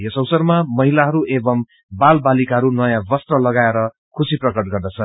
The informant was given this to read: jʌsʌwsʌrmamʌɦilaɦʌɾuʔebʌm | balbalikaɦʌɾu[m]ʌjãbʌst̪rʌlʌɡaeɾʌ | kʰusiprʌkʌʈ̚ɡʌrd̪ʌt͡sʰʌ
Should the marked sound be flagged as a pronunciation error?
yes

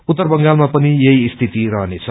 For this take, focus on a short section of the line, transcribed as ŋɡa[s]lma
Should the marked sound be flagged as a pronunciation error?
yes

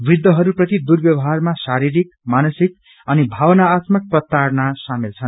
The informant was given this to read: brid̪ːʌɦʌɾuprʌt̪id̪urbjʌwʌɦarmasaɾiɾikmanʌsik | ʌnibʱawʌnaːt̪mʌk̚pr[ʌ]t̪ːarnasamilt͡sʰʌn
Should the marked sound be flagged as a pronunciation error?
no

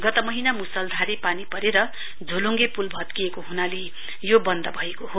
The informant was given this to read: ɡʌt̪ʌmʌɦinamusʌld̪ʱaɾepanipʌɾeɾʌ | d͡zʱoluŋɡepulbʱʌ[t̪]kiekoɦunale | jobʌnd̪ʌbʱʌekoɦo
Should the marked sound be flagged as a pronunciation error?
no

